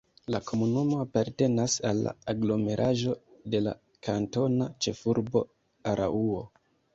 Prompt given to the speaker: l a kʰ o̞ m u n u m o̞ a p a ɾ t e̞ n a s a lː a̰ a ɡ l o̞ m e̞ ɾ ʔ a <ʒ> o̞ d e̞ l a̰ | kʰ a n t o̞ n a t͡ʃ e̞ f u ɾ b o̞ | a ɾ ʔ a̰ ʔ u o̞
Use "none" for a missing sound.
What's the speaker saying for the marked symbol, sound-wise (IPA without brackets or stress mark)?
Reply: ʒ